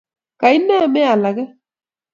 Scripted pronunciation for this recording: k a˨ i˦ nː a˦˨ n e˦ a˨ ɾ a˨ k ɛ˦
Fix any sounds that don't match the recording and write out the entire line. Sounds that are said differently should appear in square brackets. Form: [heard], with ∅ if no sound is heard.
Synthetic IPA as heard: k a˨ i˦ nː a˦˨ [m] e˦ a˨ [l] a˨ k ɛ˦